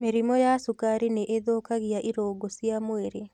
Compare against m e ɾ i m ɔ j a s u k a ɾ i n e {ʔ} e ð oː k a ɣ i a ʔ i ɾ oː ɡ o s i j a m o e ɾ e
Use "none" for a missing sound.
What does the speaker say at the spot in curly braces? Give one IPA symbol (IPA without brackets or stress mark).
ʔ